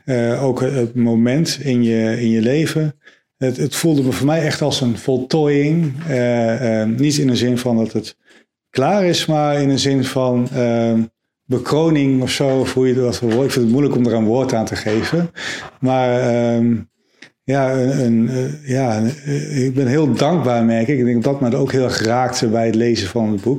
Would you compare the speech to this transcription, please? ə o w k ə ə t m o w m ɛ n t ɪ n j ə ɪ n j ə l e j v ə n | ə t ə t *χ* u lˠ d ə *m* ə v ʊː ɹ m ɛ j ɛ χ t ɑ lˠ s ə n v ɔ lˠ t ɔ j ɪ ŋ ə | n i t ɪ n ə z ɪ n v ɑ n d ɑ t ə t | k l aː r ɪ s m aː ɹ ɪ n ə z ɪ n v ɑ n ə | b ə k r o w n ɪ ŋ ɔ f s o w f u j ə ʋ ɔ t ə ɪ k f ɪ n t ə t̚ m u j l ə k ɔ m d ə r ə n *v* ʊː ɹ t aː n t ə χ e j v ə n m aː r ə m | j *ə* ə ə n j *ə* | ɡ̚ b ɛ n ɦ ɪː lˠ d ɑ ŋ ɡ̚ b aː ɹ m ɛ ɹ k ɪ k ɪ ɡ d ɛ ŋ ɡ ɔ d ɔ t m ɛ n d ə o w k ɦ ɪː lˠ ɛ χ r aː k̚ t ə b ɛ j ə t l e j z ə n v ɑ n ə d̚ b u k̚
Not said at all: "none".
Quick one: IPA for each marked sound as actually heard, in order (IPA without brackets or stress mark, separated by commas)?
f, m, ʋ, a, a